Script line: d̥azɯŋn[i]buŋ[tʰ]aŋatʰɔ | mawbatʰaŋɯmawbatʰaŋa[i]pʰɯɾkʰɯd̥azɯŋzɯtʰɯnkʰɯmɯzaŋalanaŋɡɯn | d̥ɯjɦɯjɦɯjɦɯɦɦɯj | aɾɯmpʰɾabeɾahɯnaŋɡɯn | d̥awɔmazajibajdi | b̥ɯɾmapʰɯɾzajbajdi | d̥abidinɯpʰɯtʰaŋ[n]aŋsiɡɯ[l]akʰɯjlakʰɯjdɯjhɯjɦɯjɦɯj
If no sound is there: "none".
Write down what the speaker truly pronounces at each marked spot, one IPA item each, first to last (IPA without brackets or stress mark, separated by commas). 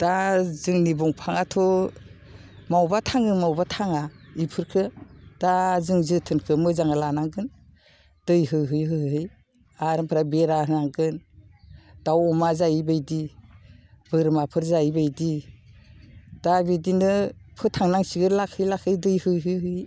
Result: i, pʰ, i, n, l